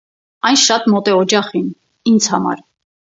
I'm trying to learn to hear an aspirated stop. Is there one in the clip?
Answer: no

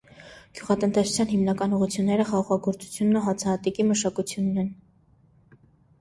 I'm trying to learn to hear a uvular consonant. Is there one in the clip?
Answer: yes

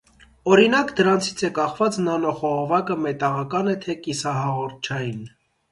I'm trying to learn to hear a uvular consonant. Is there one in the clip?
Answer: yes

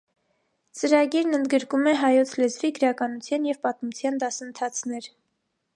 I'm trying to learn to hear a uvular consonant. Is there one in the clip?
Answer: no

